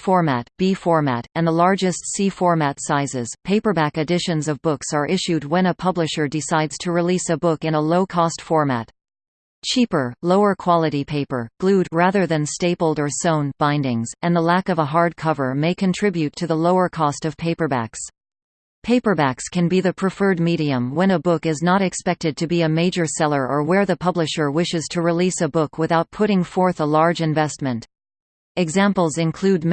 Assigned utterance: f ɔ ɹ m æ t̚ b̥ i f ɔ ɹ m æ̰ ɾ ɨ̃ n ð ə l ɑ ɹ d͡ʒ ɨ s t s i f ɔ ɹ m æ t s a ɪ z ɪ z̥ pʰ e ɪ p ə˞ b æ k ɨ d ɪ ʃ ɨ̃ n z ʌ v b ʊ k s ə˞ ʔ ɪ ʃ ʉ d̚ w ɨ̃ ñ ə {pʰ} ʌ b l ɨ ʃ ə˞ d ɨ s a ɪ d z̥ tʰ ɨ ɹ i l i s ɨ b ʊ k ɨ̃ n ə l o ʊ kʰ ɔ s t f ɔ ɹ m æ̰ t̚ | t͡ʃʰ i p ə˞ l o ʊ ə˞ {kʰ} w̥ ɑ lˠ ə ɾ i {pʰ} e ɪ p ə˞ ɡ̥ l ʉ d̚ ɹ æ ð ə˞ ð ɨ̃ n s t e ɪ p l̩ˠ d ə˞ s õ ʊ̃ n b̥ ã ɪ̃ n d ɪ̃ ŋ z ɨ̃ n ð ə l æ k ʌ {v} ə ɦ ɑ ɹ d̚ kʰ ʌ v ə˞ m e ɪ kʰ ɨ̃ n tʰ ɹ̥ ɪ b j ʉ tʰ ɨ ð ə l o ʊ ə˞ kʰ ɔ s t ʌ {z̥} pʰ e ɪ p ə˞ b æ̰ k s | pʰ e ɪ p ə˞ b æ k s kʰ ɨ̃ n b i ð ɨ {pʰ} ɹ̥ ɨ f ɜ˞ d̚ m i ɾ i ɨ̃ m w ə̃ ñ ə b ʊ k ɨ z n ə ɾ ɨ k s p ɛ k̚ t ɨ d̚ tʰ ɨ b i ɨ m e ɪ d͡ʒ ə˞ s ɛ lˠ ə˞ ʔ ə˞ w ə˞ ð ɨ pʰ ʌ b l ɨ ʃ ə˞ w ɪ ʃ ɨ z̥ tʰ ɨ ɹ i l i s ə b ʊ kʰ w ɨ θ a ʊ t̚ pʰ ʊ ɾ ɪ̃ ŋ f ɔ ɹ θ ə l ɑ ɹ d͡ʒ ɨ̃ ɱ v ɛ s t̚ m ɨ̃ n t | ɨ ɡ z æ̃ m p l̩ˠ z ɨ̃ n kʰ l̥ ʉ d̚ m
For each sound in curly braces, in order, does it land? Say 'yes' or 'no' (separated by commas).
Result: yes, yes, yes, yes, no, yes